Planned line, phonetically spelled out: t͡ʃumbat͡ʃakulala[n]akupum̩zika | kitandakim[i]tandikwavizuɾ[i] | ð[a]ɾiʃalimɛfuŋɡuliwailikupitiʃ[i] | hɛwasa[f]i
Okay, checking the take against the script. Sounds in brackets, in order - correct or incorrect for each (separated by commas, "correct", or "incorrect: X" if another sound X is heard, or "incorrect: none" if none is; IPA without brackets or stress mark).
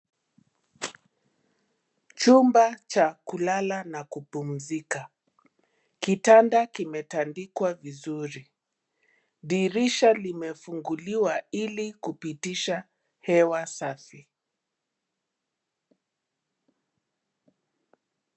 correct, incorrect: ɛ, correct, incorrect: i, incorrect: a, correct